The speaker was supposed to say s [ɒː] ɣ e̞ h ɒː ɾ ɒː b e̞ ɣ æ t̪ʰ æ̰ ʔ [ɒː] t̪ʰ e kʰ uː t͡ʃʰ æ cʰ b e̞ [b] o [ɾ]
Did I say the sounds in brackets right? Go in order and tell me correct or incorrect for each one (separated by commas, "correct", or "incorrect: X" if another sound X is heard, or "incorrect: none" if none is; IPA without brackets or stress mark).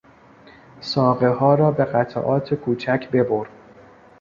correct, correct, correct, correct